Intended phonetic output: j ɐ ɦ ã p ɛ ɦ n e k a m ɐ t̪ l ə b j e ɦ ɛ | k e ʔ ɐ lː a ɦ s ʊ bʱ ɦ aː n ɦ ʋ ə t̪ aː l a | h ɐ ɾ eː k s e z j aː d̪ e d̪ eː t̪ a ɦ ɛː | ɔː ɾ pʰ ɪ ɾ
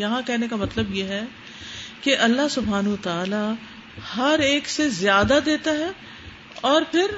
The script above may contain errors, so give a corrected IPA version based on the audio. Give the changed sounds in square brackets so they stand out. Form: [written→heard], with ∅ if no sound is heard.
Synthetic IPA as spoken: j ɐ ɦ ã [p→k] ɛ ɦ n e k a m ɐ t̪ l ə b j e ɦ ɛ | k e ʔ ɐ lː a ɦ s ʊ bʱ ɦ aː n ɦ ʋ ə t̪ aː l a | h ɐ ɾ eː k s e z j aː d̪ [e→a] d̪ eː t̪ a ɦ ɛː | ɔː ɾ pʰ ɪ ɾ